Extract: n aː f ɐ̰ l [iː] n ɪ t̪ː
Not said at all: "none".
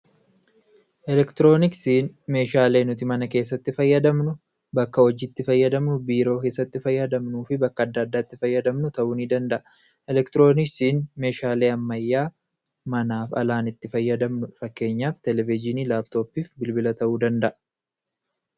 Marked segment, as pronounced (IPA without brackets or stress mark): aː